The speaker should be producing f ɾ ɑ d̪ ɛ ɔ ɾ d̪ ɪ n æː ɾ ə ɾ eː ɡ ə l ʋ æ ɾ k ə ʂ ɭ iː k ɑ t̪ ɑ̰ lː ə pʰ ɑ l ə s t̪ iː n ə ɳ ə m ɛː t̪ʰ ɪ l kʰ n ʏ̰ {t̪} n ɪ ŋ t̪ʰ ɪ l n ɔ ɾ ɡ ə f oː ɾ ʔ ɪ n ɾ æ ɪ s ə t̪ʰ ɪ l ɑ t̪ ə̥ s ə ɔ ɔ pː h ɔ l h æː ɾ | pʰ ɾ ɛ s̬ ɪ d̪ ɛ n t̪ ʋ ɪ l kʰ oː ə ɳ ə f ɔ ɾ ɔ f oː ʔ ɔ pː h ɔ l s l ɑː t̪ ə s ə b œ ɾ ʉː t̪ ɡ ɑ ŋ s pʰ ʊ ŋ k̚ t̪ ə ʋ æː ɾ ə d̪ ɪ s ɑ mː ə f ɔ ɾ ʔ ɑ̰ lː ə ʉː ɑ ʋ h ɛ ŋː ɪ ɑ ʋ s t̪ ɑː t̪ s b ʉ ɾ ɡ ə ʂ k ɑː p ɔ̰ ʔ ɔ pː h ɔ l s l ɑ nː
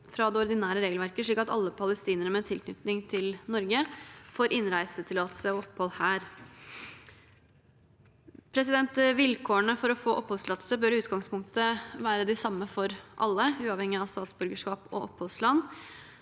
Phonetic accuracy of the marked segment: correct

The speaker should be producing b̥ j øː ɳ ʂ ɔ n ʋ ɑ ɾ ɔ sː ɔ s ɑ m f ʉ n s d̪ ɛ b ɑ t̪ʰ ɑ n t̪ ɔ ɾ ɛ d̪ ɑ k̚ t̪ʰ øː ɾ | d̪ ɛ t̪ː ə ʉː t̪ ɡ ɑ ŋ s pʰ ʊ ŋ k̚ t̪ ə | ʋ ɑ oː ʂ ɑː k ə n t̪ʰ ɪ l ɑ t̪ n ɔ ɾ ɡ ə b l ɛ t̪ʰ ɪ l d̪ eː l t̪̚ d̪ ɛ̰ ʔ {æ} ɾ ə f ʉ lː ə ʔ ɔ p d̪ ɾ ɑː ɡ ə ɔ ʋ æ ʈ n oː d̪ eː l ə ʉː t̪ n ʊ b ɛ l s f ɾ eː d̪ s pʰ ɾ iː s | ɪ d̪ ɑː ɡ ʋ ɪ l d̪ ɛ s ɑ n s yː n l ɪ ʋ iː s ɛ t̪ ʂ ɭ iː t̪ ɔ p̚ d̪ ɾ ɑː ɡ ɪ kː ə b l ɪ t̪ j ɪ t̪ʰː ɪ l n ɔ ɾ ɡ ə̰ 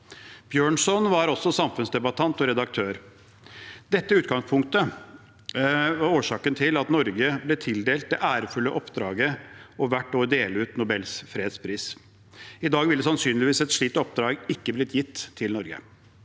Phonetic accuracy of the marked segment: incorrect: æː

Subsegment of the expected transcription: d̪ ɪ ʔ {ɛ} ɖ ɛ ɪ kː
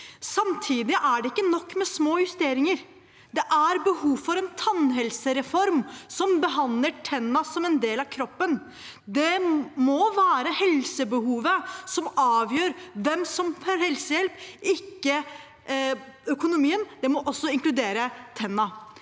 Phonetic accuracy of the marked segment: incorrect: æ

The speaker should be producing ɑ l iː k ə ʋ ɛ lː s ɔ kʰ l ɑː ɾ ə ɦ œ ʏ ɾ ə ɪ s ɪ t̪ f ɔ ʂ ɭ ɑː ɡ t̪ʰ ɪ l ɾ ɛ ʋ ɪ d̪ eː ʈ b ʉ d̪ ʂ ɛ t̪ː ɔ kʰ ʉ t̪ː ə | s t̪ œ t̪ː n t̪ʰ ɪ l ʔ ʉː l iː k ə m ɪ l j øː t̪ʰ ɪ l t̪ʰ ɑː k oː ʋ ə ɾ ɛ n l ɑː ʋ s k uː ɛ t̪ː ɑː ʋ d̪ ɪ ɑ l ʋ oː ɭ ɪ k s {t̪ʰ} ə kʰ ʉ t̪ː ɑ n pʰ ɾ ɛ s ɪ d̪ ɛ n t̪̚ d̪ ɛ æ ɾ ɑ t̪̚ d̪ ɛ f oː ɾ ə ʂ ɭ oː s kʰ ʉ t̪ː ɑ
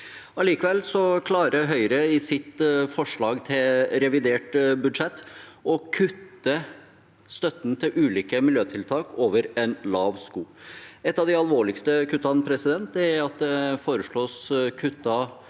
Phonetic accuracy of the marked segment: incorrect: t̪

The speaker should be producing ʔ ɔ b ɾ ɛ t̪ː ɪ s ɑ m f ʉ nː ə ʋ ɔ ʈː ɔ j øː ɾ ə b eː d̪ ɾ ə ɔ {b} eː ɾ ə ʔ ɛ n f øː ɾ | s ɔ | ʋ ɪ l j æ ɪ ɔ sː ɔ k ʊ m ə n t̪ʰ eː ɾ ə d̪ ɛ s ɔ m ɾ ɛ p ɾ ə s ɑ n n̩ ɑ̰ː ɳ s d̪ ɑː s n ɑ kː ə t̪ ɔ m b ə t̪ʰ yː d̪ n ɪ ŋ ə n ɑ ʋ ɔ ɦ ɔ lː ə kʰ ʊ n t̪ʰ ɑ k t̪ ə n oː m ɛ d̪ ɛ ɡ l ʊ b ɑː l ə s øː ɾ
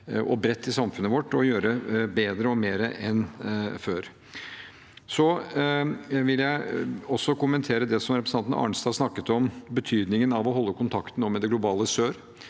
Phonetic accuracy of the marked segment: incorrect: m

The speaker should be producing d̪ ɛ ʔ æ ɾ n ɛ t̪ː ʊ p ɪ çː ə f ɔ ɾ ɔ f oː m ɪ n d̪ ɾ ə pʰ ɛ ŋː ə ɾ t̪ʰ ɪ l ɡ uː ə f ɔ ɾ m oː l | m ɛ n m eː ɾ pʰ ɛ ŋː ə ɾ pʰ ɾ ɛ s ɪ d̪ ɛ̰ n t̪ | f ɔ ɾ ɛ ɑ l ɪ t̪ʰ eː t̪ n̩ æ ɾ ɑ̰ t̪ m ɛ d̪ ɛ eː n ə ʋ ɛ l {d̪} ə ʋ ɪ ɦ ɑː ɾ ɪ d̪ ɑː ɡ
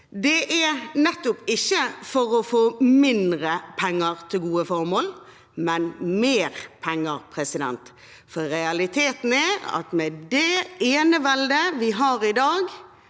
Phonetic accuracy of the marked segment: correct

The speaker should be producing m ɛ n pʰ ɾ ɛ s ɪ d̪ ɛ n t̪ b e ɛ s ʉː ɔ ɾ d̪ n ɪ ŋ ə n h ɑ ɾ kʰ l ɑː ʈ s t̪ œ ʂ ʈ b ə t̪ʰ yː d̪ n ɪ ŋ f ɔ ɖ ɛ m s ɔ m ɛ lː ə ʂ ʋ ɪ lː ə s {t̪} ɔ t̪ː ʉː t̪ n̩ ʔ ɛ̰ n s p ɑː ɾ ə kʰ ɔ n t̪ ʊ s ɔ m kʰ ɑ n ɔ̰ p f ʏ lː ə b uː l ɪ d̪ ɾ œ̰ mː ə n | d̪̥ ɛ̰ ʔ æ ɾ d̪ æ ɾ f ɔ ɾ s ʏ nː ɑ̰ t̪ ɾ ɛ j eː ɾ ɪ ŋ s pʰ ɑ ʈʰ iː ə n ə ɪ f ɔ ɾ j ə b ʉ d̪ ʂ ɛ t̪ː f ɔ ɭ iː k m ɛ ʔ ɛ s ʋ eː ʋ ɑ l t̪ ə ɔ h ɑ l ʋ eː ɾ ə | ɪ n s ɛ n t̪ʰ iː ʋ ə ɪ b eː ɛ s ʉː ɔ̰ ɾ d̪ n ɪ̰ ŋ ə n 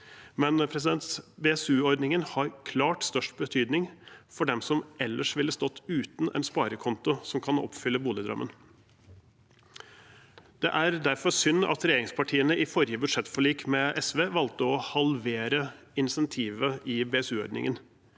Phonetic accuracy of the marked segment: correct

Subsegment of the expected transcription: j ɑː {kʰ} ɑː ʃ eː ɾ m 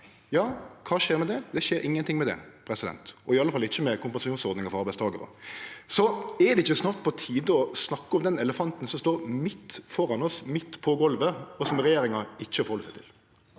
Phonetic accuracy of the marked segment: correct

